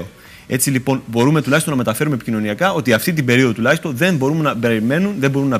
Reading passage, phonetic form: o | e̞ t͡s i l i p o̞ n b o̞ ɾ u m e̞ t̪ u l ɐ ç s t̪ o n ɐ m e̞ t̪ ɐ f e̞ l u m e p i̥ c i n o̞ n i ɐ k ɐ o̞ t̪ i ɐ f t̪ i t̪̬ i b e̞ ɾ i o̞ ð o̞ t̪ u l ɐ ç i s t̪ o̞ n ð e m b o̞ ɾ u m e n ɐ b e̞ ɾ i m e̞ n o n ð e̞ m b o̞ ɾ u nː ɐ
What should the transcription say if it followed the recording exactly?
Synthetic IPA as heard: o | e̞ t͡s i l i p o̞ n b o̞ ɾ u m e̞ t̪ u l ɐ ç s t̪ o n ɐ m e̞ t̪ ɐ f e̞ ɾ u m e p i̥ c i n o̞ n i ɐ k ɐ o̞ t̪ i ɐ f t̪ i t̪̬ i b e̞ ɾ i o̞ ð o̞ t̪ u l ɐ ç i s t̪ o̞ n ð e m b o̞ ɾ u m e n ɐ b e̞ ɾ i m e̞ n u n ð e̞ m b o̞ ɾ u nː ɐ